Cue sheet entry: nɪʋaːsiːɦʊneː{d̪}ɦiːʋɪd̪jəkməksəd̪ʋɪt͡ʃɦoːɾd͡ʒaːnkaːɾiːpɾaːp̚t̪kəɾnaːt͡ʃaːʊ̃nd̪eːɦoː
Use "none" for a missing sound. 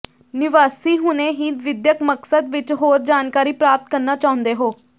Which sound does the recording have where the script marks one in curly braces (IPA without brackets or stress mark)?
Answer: none